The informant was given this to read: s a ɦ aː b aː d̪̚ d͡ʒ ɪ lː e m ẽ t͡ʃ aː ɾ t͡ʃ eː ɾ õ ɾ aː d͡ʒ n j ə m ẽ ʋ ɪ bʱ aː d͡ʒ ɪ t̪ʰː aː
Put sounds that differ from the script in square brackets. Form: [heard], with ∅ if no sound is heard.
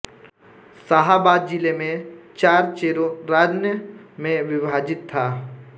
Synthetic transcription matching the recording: s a ɦ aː b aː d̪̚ d͡ʒ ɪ [l] e m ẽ t͡ʃ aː ɾ t͡ʃ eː ɾ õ ɾ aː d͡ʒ n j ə m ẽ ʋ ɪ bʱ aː d͡ʒ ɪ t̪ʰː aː